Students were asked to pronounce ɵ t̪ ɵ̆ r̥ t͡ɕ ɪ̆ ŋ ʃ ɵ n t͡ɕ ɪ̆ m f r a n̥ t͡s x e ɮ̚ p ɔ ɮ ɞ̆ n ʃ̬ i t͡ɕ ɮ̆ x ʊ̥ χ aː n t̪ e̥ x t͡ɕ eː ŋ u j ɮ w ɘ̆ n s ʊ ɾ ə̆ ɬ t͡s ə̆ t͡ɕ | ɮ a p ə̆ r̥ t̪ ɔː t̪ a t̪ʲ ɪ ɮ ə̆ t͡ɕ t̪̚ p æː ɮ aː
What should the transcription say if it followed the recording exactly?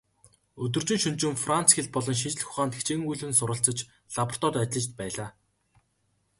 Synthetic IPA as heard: ɵ t̪ ɵ̆ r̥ t͡ɕ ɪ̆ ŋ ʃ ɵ n t͡ɕ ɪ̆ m f r a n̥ t͡s x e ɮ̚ p ɔ ɮ ɞ̆ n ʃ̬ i t͡ɕ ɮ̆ x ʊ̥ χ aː n t̪ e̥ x t͡ɕ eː ŋ u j ɮ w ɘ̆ n s ʊ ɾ ə̆ ɬ t͡s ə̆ t͡ɕ | ɮ a p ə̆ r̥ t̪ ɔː t̪ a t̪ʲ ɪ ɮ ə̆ t͡ɕ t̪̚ p æː ɮ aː